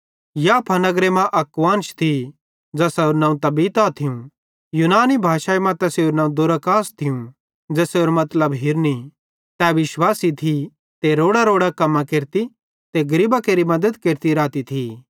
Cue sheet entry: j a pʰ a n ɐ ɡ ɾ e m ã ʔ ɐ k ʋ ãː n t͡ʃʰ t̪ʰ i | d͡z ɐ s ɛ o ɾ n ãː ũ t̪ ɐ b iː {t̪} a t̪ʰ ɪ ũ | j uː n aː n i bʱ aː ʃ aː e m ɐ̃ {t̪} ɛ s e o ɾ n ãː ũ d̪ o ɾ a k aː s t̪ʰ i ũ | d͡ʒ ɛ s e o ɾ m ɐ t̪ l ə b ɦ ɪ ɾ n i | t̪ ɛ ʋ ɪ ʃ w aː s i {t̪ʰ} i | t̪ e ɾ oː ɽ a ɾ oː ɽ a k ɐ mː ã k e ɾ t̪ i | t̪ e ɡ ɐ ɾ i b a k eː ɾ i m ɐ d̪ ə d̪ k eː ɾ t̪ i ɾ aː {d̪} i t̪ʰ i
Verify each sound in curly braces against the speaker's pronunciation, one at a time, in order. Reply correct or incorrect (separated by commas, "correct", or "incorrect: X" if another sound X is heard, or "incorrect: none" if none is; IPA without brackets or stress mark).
correct, correct, correct, incorrect: t̪